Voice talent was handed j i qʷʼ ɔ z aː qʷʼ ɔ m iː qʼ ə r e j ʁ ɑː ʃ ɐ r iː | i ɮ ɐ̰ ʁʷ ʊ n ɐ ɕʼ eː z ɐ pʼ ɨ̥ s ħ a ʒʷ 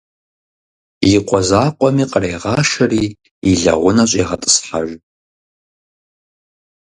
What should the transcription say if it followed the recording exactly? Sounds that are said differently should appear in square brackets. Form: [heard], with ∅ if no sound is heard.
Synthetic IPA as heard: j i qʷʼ ɔ z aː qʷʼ ɔ m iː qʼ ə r e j ʁ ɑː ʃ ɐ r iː | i ɮ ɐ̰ ʁʷ ʊ n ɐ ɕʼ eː [ʁ] ɐ [tʼ] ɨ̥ s ħ a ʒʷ